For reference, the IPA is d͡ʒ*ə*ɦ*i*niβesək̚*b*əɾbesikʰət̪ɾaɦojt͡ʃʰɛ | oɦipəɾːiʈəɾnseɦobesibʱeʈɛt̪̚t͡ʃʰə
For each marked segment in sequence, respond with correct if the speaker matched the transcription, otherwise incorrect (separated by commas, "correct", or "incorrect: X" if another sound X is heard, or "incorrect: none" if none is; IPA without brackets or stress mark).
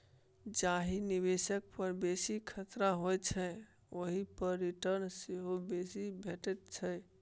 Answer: incorrect: a, correct, incorrect: p